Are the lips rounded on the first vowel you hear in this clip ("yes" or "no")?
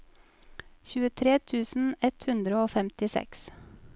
yes